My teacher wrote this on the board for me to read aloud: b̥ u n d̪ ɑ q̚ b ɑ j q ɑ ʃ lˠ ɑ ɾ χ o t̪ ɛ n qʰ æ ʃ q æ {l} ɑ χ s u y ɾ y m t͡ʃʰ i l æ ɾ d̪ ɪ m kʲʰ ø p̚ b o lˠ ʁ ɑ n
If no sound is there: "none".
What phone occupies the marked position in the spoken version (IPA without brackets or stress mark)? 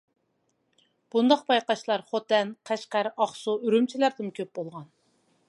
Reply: ɾ